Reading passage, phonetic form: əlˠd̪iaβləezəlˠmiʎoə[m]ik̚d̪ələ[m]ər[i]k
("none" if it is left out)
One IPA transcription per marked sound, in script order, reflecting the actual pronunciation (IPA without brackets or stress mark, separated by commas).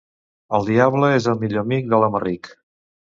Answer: m, m, i